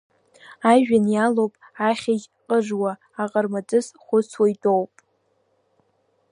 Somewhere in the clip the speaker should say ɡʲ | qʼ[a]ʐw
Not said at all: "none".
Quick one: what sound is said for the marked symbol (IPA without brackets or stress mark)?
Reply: ə